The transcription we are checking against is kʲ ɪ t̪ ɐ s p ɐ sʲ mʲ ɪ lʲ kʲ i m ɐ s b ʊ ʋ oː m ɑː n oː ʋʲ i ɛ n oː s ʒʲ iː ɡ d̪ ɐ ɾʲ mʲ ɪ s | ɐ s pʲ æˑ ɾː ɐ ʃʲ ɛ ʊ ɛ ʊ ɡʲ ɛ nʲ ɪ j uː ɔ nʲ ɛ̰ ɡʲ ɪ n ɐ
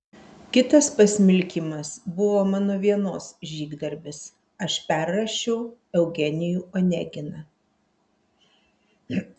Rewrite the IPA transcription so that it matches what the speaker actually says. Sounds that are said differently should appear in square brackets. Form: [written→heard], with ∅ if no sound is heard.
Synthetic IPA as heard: kʲ ɪ t̪ ɐ s p ɐ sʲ mʲ ɪ lʲ kʲ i m ɐ s b ʊ ʋ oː m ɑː n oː ʋʲ i ɛ n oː s ʒʲ iː ɡ d̪ ɐ ɾʲ [mʲ→bʲ] ɪ s | ɐ [s→ʃ] pʲ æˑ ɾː ɐ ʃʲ ɛ ʊ ɛ ʊ ɡʲ ɛ nʲ ɪ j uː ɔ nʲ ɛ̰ ɡʲ ɪ n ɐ

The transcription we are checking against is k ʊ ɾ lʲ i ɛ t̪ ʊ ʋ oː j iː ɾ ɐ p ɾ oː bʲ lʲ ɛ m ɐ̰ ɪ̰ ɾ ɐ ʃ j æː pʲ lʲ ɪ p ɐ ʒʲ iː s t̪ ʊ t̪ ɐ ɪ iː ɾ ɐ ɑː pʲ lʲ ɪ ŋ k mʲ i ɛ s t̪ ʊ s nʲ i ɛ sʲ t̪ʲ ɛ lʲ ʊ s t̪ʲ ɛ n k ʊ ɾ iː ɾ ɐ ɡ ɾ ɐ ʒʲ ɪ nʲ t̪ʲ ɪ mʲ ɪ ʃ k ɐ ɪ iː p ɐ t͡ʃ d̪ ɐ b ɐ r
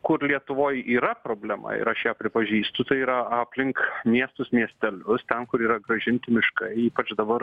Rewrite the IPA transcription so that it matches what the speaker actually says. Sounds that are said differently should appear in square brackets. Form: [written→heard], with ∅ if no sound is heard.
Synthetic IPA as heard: k ʊ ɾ lʲ i ɛ t̪ ʊ ʋ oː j iː ɾ ɐ p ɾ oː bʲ lʲ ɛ m ɐ̰ ɪ̰ ɾ ɐ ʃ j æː pʲ [lʲ→ɾʲ] ɪ p ɐ ʒʲ iː s t̪ ʊ t̪ ɐ ɪ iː ɾ ɐ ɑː pʲ lʲ ɪ ŋ k mʲ i ɛ s t̪ ʊ s [nʲ→mʲ] i ɛ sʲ t̪ʲ ɛ lʲ ʊ s t̪ʲ ɛ n k ʊ ɾ iː ɾ ɐ ɡ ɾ ɐ ʒʲ ɪ nʲ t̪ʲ ɪ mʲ ɪ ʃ k ɐ ɪ iː p ɐ t͡ʃ d̪ ɐ b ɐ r

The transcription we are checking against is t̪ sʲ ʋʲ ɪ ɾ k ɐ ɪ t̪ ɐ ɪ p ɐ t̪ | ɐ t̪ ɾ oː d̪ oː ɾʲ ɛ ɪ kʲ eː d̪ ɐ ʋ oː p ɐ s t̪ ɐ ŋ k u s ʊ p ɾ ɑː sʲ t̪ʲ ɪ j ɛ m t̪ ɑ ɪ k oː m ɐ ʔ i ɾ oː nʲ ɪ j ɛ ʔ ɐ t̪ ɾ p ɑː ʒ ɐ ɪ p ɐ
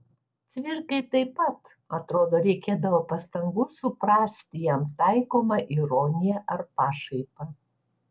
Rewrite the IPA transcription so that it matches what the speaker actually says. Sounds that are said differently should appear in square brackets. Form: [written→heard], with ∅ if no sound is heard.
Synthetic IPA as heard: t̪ sʲ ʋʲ ɪ ɾ k ɐ ɪ t̪ ɐ ɪ p ɐ t̪ | ɐ t̪ ɾ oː d̪ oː ɾʲ ɛ ɪ kʲ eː d̪ ɐ ʋ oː p ɐ s t̪ ɐ ŋ [k→ɡ] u s ʊ p ɾ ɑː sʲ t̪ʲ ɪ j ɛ m t̪ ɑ ɪ k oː m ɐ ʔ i ɾ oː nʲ ɪ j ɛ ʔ ɐ [t̪→∅] ɾ p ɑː [ʒ→ʃ] ɐ ɪ p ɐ

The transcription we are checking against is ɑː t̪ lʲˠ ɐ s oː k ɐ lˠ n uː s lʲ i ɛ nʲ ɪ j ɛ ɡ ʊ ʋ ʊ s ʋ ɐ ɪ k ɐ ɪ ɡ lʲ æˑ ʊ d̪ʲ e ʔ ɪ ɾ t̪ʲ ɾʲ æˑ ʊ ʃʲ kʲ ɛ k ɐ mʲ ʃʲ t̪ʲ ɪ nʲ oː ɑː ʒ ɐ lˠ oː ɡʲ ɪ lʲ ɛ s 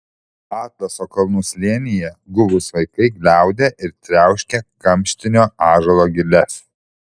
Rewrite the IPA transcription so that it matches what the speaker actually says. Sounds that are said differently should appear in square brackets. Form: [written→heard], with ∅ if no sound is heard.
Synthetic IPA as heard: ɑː t̪ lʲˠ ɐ s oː k ɐ lˠ n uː s lʲ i ɛ nʲ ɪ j ɛ ɡ ʊ ʋ ʊ s ʋ ɐ ɪ k ɐ ɪ ɡ lʲ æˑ ʊ d̪ʲ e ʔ ɪ ɾ t̪ʲ ɾʲ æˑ ʊ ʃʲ kʲ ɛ k ɐ mʲ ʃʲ t̪ʲ ɪ nʲ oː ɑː ʒ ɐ lˠ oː ɡʲ ɪ lʲ ɛ s

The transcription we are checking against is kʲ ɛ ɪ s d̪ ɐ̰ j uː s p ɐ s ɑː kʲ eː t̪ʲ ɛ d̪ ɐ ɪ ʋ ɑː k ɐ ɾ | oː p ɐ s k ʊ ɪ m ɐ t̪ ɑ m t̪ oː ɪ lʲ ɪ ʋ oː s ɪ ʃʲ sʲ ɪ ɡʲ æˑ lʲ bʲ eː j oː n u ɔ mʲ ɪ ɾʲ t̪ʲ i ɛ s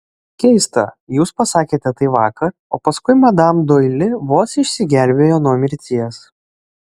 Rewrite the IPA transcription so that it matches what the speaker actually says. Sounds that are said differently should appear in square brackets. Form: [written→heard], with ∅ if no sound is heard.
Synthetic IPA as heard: kʲ ɛ ɪ s [d̪→t̪] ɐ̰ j uː s p ɐ s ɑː kʲ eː t̪ʲ ɛ [d̪→t̪] ɐ ɪ ʋ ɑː k ɐ ɾ | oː p ɐ s k ʊ ɪ m ɐ [t̪→d̪] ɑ m [t̪→d̪] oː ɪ lʲ ɪ ʋ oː s ɪ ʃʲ sʲ ɪ ɡʲ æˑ lʲ bʲ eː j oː n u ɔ mʲ ɪ ɾʲ t̪ʲ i ɛ s

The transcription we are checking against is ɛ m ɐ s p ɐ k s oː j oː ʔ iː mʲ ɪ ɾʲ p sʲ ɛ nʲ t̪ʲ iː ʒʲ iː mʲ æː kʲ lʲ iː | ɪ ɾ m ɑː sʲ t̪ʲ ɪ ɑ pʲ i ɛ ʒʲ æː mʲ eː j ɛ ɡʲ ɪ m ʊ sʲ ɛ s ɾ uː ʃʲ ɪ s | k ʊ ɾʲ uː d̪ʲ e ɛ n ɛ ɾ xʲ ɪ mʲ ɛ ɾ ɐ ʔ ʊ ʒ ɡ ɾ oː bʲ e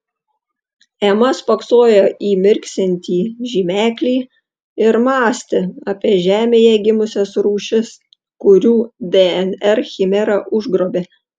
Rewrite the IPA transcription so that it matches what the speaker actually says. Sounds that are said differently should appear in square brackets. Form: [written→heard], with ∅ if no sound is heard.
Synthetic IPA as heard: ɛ m ɐ s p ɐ k s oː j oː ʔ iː mʲ ɪ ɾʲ [p→k] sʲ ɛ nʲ t̪ʲ iː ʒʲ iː mʲ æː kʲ lʲ iː | ɪ ɾ m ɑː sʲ t̪ʲ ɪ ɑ pʲ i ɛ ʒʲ æː mʲ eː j ɛ ɡʲ ɪ m ʊ sʲ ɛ s ɾ uː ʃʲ ɪ s | k ʊ ɾʲ uː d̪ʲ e ɛ n ɛ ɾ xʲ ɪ mʲ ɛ ɾ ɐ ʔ ʊ ʒ ɡ ɾ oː bʲ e

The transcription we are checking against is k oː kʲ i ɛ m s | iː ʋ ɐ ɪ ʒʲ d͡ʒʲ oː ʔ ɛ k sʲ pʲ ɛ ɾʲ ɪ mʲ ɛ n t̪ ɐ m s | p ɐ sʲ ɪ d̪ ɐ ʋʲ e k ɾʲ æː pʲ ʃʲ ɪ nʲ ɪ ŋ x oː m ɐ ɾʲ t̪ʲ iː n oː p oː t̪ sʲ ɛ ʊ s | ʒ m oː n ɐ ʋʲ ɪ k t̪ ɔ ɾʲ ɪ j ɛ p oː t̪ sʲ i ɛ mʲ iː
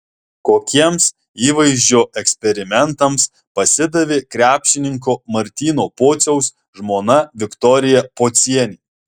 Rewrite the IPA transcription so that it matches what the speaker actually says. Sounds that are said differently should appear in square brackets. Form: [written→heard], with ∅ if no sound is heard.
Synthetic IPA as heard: k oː kʲ i ɛ m s | iː ʋ ɐ ɪ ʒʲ d͡ʒʲ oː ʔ ɛ k sʲ pʲ ɛ ɾʲ ɪ mʲ ɛ n t̪ ɐ m s | p ɐ sʲ ɪ d̪ ɐ ʋʲ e k ɾʲ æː pʲ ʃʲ ɪ nʲ ɪ ŋ [x→k] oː m ɐ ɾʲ t̪ʲ iː n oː p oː t̪ sʲ ɛ ʊ s | ʒ m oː n ɐ ʋʲ ɪ k t̪ ɔ ɾʲ ɪ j ɛ p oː t̪ sʲ i ɛ [mʲ→nʲ] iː

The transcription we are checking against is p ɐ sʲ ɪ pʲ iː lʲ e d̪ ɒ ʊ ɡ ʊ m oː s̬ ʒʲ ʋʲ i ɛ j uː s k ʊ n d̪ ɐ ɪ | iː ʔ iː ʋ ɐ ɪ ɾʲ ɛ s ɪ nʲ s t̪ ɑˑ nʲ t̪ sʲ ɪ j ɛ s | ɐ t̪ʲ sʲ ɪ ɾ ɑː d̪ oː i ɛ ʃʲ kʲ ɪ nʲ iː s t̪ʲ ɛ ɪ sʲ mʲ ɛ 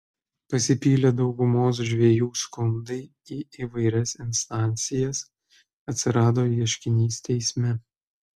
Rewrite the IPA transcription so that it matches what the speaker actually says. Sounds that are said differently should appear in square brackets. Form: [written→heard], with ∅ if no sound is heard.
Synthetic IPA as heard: p ɐ sʲ ɪ pʲ iː lʲ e d̪ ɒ ʊ ɡ ʊ m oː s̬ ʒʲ ʋʲ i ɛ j uː s k ʊ n d̪ ɐ ɪ | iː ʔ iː ʋ ɐ ɪ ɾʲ ɛ s ɪ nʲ s t̪ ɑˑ nʲ t̪ sʲ ɪ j ɛ s | ɐ t̪ʲ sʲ ɪ ɾ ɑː d̪ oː i ɛ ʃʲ kʲ ɪ nʲ iː s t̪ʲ ɛ ɪ sʲ mʲ ɛ

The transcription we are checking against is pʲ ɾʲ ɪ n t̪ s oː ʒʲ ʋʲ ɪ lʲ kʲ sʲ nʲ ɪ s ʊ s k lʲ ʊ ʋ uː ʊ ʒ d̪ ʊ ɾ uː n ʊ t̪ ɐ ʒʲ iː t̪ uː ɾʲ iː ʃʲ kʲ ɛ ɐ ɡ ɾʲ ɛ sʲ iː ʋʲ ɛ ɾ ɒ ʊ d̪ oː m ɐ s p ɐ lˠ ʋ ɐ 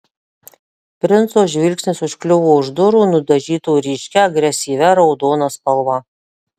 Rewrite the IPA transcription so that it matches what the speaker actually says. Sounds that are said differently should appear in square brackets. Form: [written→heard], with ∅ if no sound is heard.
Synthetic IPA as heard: pʲ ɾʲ ɪ n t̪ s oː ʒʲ ʋʲ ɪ lʲ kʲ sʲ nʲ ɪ s ʊ [s→ʃ] k lʲ ʊ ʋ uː ʊ ʒ d̪ ʊ ɾ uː n ʊ [t̪→d̪] ɐ ʒʲ iː t̪ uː ɾʲ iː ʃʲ kʲ ɛ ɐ ɡ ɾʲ ɛ sʲ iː ʋʲ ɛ ɾ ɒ ʊ d̪ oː [m→n] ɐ s p ɐ lˠ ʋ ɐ

